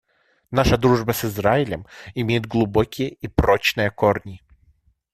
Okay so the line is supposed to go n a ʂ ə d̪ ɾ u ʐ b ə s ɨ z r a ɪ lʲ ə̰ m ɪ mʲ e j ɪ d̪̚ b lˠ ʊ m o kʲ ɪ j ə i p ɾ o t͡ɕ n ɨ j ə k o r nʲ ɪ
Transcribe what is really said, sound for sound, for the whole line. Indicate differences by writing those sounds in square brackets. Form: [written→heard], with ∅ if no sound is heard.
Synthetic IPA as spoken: n a ʂ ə d̪ ɾ u ʐ b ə s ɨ z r a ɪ lʲ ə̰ m ɪ mʲ e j ɪ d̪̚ [b→ɡ] lˠ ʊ [m→b] o kʲ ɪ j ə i p ɾ o t͡ɕ n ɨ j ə k o r nʲ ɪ